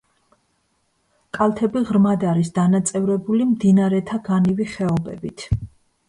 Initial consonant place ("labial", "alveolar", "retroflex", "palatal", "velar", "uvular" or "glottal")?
velar